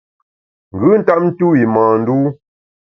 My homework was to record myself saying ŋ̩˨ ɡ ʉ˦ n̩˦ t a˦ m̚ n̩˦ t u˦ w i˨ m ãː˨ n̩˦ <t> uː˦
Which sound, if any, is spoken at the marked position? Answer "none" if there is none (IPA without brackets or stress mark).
d